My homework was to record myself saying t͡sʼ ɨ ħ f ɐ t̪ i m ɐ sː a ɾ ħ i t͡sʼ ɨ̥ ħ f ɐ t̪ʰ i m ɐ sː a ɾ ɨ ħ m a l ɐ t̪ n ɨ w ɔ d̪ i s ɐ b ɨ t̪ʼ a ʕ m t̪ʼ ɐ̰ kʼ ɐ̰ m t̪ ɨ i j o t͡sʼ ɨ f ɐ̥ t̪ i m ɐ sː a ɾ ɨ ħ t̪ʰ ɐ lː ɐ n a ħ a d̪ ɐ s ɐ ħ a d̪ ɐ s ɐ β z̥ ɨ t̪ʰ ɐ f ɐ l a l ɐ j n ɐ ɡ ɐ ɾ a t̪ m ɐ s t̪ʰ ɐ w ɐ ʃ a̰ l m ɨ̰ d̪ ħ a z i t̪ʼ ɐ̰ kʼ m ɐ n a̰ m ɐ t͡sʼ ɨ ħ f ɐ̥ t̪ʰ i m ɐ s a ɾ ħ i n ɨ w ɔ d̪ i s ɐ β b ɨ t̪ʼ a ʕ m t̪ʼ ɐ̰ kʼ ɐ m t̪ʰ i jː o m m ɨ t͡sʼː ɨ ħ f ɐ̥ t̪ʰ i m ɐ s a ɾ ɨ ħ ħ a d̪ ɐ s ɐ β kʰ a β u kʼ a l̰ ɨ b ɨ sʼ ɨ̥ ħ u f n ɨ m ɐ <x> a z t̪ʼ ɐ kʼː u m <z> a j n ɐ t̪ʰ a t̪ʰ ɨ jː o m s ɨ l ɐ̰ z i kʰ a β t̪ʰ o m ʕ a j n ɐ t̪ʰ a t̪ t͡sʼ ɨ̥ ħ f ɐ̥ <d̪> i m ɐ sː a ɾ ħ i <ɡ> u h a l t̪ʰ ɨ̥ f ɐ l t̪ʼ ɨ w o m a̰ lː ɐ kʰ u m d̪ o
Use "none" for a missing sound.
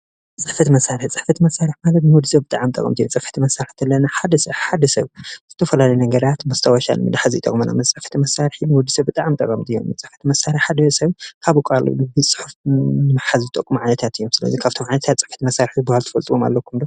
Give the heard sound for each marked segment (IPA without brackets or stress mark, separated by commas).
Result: ħ, ʕ, t̪, b